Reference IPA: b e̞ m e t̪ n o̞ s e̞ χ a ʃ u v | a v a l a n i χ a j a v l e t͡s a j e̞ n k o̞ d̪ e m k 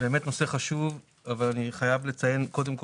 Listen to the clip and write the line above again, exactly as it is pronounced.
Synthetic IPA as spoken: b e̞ m e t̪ n o̞ s e̞ χ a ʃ u v | a v a l a n i χ a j a v l e t͡s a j e̞ n k o̞ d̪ e m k